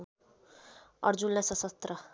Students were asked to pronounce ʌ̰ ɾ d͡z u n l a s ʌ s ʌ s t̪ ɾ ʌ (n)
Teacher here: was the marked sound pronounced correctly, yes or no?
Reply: no